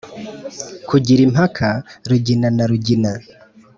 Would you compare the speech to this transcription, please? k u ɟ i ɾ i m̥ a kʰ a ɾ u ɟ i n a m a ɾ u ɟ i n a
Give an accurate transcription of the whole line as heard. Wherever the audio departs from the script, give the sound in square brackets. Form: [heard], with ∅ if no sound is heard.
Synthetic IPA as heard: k u ɟ i ɾ i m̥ a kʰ a ɾ u ɟ i n a [n] a ɾ u ɟ i n a